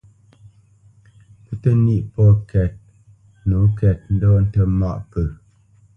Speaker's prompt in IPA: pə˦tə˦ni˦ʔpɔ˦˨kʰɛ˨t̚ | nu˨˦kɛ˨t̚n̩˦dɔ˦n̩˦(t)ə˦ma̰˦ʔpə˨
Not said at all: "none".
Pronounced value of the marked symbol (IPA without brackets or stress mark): t